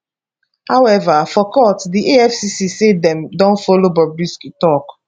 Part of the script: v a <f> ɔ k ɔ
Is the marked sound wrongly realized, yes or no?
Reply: no